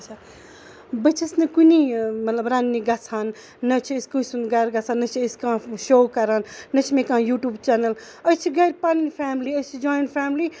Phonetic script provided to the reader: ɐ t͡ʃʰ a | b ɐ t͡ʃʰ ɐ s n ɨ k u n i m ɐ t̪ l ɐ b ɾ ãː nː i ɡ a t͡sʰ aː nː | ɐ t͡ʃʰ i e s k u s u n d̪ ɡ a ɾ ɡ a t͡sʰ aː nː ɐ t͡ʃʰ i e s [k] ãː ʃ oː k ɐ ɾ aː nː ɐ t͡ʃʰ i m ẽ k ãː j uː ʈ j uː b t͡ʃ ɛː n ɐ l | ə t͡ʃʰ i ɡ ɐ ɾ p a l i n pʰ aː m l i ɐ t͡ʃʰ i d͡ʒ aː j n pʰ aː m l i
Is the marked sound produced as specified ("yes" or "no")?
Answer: yes